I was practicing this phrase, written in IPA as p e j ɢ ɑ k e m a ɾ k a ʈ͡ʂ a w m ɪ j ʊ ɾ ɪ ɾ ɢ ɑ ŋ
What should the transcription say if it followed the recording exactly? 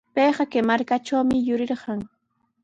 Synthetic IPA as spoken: p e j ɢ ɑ k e m a ɾ k a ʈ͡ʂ a w m ɪ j ʊ ɾ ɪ ɾ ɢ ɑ ŋ